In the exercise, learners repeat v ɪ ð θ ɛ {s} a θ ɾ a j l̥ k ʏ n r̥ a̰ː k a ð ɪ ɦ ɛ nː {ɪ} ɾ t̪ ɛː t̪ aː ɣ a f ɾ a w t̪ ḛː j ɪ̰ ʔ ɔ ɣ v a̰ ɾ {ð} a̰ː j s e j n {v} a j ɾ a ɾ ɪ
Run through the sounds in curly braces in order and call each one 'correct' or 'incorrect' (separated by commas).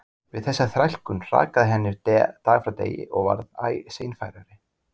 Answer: incorrect, correct, correct, incorrect